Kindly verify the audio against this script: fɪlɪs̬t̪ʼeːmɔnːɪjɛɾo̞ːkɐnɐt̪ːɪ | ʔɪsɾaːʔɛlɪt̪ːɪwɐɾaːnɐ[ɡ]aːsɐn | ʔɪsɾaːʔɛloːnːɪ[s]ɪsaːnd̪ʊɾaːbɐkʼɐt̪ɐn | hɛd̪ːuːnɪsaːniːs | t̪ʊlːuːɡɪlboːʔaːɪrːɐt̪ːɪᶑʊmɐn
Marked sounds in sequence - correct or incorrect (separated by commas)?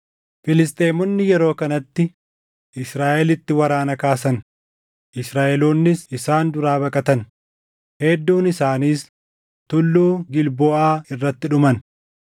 incorrect, correct